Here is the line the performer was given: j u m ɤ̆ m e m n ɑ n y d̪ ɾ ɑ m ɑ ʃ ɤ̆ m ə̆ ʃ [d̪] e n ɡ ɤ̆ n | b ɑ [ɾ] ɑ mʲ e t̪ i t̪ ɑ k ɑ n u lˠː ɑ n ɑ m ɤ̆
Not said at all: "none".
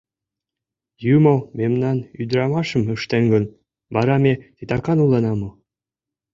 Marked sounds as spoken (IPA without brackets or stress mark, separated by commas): t̪, ɾ